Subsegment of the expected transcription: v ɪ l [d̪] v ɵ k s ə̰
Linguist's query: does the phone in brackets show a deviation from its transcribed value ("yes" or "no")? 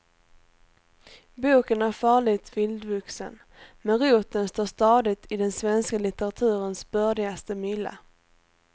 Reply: no